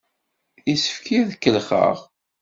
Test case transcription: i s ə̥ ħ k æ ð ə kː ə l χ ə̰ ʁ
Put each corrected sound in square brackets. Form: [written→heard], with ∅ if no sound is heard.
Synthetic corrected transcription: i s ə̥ [ħ→f] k [æ→i] ð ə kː ə l χ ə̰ ʁ